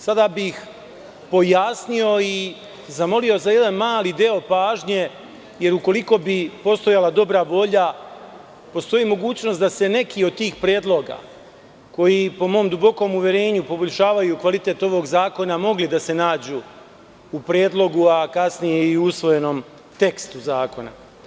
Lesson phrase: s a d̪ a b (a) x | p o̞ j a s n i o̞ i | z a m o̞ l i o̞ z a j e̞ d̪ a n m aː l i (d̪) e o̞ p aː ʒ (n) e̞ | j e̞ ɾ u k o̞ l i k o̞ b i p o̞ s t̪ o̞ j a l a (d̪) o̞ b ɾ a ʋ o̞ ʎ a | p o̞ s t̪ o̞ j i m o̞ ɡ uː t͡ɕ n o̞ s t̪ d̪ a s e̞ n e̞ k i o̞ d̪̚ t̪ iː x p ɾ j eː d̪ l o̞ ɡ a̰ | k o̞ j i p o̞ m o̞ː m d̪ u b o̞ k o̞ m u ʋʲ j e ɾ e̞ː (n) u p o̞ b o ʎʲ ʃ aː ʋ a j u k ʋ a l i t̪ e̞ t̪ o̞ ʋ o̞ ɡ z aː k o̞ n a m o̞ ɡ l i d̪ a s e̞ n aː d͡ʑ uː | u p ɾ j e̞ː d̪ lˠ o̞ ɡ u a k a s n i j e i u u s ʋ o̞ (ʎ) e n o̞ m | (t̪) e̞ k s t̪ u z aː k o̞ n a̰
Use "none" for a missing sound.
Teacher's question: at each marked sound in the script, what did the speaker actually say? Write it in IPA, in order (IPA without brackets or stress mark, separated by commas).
i, d̪, ɲ, d̪, ɲ, j, t̪